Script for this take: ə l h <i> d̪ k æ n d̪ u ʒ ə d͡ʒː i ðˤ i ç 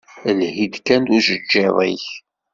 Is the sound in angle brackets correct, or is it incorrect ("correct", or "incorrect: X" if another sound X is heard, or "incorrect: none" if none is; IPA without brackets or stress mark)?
correct